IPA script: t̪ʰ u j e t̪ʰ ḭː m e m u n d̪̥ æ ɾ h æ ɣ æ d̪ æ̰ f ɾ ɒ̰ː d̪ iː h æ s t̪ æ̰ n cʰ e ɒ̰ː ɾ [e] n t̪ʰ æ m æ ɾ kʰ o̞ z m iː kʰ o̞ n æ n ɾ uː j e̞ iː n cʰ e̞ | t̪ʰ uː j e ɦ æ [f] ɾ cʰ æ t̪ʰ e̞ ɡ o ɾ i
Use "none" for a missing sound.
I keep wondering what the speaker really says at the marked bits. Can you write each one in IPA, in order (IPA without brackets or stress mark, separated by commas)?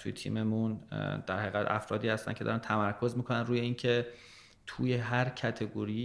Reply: æ, none